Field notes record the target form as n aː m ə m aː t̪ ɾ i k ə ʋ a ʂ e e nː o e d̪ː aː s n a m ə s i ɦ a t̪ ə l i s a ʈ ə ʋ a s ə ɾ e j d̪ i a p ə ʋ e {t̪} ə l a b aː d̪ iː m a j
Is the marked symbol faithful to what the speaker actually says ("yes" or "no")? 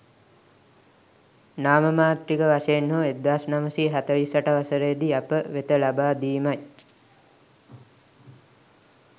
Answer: yes